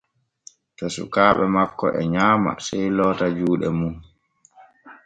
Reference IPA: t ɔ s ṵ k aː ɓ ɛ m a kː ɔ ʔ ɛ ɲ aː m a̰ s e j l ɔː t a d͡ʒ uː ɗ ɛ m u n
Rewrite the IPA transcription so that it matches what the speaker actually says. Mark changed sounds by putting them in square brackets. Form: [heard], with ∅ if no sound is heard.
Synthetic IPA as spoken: t ɔ s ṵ k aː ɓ ɛ m a kː ɔ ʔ ɛ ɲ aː m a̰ s [ɛ] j l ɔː t a d͡ʒ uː ɗ ɛ m u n

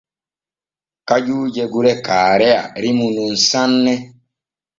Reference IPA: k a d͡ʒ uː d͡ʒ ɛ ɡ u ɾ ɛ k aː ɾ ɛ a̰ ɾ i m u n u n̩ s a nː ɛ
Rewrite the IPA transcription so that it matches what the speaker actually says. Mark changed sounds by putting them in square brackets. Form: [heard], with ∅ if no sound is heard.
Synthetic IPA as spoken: k a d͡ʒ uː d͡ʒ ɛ ɡ u ɾ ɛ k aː ɾ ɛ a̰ ɾ i m u n u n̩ s a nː ɛ

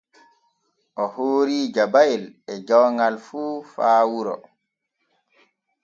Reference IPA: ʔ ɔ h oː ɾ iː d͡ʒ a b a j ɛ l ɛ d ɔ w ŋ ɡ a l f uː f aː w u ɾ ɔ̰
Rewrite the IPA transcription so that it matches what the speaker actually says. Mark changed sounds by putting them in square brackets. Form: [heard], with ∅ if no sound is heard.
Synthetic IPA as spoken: ʔ ɔ h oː ɾ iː d͡ʒ a b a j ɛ l ɛ [d͡ʒ] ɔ w ŋ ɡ a l f uː f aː w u ɾ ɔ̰

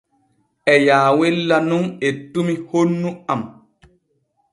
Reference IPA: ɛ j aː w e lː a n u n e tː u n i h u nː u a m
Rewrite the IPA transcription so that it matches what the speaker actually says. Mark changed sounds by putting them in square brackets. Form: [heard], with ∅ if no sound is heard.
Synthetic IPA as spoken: ɛ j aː w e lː a n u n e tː u [m] i h [o] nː u a m

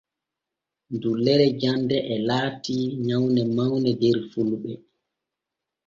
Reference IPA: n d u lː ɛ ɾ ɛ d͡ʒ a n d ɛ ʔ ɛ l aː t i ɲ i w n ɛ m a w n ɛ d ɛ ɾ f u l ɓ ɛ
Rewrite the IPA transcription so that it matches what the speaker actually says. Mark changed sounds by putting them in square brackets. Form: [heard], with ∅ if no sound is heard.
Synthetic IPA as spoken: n d u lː ɛ ɾ ɛ d͡ʒ a n d ɛ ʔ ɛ l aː t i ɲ [a] w n ɛ m a w n ɛ d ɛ ɾ f u l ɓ ɛ

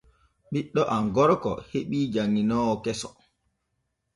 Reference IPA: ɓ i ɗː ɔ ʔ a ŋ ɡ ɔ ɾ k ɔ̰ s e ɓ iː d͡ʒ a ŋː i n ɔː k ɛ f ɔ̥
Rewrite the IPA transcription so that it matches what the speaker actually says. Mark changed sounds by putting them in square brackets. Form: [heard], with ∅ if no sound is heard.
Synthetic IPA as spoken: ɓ i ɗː ɔ ʔ a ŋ ɡ ɔ ɾ k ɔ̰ [h] e ɓ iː d͡ʒ a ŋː i n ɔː k ɛ [s] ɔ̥

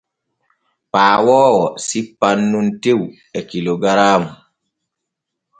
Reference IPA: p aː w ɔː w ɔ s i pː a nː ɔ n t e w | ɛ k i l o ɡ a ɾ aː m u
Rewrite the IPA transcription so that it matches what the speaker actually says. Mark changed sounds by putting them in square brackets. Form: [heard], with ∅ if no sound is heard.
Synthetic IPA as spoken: p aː w ɔː w ɔ s i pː a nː [u] n t e w | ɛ k i l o ɡ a ɾ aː m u

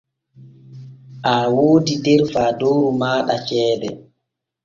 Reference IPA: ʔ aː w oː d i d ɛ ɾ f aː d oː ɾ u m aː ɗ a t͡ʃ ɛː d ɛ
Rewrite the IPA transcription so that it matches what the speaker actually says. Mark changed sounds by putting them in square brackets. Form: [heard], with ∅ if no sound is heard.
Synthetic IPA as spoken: ʔ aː w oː d i d ɛ ɾ f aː d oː ɾ u m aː ɗ a t͡ʃ ɛː d ɛ

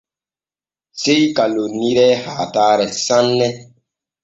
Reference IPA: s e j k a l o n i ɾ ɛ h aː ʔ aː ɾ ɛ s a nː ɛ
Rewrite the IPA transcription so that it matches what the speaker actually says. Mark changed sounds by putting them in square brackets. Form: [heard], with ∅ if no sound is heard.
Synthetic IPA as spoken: s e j k a l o n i ɾ ɛ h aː [t] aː ɾ ɛ s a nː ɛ

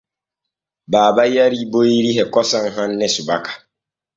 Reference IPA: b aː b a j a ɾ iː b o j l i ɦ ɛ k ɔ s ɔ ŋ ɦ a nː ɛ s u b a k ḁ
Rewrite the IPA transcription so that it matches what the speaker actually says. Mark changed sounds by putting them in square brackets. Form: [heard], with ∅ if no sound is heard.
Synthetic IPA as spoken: b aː b a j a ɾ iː b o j [ɾ] i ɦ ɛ k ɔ s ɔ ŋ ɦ a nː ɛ s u b a k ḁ

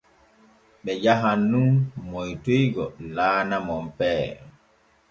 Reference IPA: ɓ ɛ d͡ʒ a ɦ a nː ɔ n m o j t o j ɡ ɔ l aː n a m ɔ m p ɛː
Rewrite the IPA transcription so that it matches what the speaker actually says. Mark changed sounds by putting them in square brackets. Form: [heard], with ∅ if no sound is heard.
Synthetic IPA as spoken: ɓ ɛ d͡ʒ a ɦ a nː [u] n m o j t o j ɡ ɔ l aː n a m ɔ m p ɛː

